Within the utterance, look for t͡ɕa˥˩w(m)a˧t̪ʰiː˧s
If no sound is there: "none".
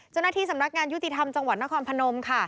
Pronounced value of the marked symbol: n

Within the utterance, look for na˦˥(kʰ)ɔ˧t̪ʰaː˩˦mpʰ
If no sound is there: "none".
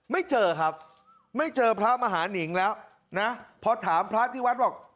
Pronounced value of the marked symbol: pʰ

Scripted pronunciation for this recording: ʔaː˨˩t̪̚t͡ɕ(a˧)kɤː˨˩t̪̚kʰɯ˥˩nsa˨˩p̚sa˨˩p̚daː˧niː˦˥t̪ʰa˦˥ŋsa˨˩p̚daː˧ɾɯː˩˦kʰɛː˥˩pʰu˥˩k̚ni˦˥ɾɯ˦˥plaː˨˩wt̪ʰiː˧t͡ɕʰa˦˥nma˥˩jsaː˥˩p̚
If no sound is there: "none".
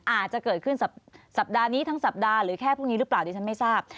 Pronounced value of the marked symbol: a˨˩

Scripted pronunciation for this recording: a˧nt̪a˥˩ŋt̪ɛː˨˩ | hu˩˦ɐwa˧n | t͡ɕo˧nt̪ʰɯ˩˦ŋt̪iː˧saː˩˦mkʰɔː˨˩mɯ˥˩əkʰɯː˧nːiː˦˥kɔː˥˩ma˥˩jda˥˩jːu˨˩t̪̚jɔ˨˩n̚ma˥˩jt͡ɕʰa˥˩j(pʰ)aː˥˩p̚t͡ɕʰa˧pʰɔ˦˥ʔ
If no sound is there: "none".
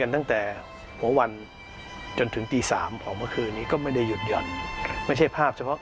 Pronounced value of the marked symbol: pʰ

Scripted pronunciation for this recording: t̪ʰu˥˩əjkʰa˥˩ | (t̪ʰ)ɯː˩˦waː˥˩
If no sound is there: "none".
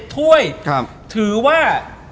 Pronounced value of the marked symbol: t̪ʰ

